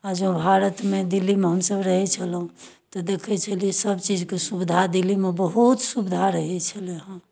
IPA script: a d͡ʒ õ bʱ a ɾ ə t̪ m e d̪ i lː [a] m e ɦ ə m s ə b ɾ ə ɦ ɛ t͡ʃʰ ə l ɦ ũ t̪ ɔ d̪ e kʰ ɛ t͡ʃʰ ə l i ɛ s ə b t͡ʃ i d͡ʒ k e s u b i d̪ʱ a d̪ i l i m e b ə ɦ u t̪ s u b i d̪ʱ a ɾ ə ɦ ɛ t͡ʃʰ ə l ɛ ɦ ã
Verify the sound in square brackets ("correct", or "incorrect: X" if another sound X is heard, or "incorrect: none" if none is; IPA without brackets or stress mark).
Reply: incorrect: i